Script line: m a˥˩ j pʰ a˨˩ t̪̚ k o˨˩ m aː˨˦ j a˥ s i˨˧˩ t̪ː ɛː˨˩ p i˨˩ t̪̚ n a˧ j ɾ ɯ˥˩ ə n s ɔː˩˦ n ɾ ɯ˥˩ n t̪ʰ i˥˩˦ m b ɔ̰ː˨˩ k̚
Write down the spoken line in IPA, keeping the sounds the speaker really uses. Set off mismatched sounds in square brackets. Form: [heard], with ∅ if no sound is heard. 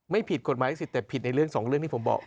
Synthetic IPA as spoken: m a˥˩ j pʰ [i˨˩] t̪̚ k o˨˩ m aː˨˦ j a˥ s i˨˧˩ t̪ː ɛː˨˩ [pʰ] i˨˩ t̪̚ n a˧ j ɾ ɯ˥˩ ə [ŋ] s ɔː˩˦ [ŋ] ɾ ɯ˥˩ [ŋ] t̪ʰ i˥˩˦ m b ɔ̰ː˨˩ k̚